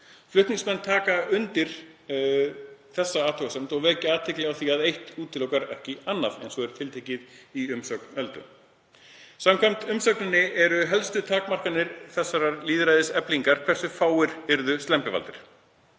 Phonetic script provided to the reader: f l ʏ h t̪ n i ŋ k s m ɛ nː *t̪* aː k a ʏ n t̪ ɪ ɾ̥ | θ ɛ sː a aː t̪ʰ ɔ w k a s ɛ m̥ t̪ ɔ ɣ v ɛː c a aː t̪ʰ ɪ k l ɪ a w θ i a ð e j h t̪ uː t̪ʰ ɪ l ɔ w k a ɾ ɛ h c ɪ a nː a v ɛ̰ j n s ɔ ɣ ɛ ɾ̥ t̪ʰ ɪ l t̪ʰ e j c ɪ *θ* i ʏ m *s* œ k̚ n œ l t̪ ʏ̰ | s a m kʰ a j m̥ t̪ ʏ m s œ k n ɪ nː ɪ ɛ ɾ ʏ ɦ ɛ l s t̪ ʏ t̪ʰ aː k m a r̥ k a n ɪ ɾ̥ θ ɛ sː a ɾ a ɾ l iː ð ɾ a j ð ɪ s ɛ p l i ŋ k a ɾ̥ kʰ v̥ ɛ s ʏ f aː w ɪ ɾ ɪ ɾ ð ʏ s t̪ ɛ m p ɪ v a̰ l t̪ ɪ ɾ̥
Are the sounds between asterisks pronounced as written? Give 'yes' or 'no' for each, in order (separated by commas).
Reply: no, no, yes